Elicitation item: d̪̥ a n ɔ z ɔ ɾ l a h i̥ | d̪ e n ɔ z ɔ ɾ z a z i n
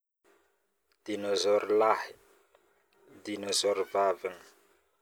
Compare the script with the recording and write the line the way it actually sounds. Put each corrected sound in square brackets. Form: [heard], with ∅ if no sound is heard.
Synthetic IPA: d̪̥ [i] n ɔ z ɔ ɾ l a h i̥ | d̪ [i] n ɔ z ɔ ɾ [v] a [v] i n